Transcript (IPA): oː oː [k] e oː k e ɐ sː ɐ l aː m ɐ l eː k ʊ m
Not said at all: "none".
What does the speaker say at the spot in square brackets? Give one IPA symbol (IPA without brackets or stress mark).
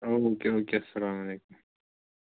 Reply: k